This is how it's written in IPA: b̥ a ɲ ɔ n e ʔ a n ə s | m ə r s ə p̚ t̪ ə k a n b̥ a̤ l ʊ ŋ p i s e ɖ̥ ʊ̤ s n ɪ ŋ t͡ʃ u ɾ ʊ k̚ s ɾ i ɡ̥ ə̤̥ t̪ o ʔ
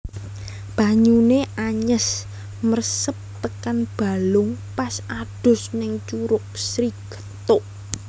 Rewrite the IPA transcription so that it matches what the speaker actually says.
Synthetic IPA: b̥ a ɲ u n e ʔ a ɲ ə s | m ə r s ə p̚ t̪ ə k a n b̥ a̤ l ʊ ŋ p a s a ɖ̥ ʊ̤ s n ɪ ŋ t͡ʃ u ɾ ʊ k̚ s ɾ i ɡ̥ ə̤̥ t̪ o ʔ